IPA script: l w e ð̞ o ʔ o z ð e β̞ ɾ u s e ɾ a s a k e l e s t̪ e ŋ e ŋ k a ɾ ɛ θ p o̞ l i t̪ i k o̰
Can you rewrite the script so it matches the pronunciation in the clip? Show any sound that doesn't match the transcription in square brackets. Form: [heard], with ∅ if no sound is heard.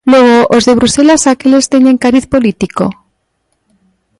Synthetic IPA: l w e [ɣ̞] o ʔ o z ð e β̞ ɾ u s e [l] a s a k e l e s t̪ e [ɲ] e ŋ k a ɾ [i] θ p o̞ l i t̪ i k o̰

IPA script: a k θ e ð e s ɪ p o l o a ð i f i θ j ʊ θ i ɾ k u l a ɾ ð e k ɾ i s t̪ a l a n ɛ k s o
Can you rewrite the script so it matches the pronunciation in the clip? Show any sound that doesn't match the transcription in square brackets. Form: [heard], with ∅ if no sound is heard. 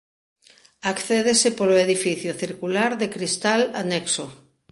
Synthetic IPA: a k θ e ð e s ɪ p o l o [e] ð i f i θ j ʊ θ i ɾ k u l a ɾ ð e k ɾ i s t̪ a l a n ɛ k s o

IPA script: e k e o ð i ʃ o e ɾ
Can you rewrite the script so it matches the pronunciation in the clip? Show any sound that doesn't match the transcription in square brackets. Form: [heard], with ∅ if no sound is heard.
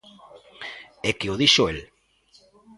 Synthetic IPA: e k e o ð i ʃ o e [l]

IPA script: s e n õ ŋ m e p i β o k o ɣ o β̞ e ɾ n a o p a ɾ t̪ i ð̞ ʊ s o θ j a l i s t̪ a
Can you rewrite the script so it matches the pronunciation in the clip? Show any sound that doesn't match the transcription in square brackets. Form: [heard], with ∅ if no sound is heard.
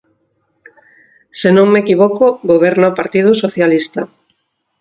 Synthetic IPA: s e n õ ŋ m e [k] i β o k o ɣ o β̞ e ɾ n a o p a ɾ t̪ i ð̞ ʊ s o θ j a l i s t̪ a

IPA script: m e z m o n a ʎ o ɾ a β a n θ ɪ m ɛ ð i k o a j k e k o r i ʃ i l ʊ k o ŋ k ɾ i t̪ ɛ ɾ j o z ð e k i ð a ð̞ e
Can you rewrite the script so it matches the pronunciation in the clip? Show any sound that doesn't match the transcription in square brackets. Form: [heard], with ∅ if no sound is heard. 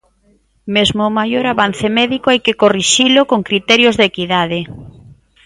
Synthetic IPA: m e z m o [m] a [j] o ɾ a β a n θ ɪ m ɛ ð i k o a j k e k o r i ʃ i l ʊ k o ŋ k ɾ i t̪ ɛ ɾ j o z ð e k i ð a ð̞ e

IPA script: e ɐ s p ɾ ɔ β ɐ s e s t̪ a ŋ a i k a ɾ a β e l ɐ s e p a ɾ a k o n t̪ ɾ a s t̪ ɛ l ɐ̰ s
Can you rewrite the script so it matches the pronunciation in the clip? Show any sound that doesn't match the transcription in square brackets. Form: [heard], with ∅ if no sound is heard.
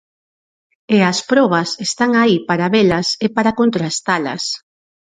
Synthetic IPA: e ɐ s p ɾ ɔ β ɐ s e s t̪ a ŋ a i [p] a ɾ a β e l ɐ s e p a ɾ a k o n t̪ ɾ a s t̪ [a] l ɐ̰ s

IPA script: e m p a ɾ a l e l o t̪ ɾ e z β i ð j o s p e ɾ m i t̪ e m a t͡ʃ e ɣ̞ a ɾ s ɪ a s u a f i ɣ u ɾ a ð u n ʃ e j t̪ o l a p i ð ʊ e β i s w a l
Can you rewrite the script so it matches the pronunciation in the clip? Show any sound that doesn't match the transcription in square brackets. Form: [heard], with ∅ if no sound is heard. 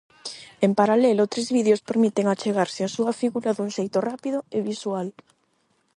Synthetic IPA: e m p a ɾ a l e l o t̪ ɾ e z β i ð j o s p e ɾ m i t̪ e [ŋ] a t͡ʃ e ɣ̞ a ɾ s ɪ a s u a f i ɣ u ɾ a ð u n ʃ e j t̪ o [r] a p i ð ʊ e β i s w a l

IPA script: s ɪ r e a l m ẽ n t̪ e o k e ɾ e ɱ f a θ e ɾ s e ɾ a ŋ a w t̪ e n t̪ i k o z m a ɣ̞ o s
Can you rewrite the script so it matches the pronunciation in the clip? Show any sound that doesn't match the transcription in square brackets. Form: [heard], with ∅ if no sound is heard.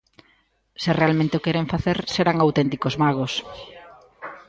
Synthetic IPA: s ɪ r e a l m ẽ n t̪ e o k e ɾ e ɱ f a θ e ɾ s e ɾ a ŋ a w t̪ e n t̪ i k o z m a ɣ̞ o s

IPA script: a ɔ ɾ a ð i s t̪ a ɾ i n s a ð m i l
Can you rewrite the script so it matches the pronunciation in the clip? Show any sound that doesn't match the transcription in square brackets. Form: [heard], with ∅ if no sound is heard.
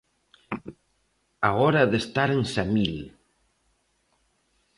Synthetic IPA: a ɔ ɾ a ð [e] s t̪ a ɾ [e] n s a [∅] m i l

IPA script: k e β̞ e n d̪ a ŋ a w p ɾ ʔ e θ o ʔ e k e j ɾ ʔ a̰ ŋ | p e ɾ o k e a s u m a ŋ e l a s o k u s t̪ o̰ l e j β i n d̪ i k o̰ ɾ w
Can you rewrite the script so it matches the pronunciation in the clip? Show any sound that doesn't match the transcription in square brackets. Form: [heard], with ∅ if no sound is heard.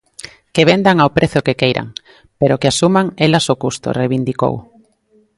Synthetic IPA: k e β̞ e n d̪ a ŋ a w p ɾ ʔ e θ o [k] e k e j ɾ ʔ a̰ ŋ | p e ɾ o k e a s u m a ŋ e l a s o k u s t̪ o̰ [r] e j β i n d̪ i k o̰ [∅] w

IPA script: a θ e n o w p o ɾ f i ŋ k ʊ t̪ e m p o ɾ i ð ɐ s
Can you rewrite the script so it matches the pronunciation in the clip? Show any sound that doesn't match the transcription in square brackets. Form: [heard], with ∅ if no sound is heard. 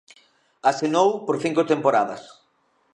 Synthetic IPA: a [s] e n o w p o ɾ [θ] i ŋ k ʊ t̪ e m p o ɾ [a] ð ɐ s

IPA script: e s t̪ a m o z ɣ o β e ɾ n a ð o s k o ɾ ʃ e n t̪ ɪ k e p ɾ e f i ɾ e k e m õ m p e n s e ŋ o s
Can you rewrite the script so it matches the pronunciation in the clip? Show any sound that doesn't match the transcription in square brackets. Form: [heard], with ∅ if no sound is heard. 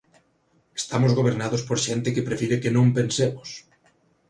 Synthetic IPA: e s t̪ a m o z ɣ o β e ɾ n a ð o s [p] o ɾ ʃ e n t̪ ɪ k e p ɾ e f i ɾ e k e [n] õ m p e n s e [m] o s

